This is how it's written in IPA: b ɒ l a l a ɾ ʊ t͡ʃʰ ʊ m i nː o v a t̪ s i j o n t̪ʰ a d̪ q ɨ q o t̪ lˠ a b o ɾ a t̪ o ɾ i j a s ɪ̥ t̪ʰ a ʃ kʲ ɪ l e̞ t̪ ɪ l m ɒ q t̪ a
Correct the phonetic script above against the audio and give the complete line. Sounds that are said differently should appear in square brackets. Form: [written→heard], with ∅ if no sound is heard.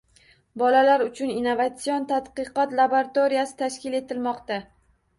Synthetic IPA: b ɒ l a l a ɾ ʊ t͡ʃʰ ʊ [m→n] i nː o v a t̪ s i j o n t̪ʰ a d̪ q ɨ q [o→ɒ] t̪ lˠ a b o ɾ a t̪ o ɾ i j a s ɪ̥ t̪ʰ a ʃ kʲ ɪ l e̞ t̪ ɪ l m ɒ q t̪ a